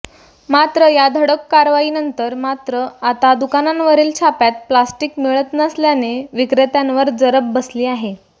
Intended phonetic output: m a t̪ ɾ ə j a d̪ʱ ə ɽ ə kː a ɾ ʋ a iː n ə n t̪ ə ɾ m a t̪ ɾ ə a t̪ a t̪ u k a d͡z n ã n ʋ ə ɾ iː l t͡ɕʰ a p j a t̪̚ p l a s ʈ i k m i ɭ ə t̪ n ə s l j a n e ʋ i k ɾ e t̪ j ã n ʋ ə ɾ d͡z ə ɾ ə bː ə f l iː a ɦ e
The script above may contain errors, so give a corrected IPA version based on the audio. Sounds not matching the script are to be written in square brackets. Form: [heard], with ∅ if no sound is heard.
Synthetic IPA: m a t̪ ɾ ə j a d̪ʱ ə ɽ ə kː a ɾ ʋ a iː n ə n t̪ ə ɾ m a t̪ ɾ ə a t̪ a [d̪] u k a [∅] n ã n ʋ ə ɾ iː l t͡ɕʰ a p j a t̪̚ p l a s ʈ i k m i ɭ ə t̪ n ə s l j a n e ʋ i k ɾ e t̪ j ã n ʋ ə ɾ d͡z ə ɾ ə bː ə [s] l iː a ɦ e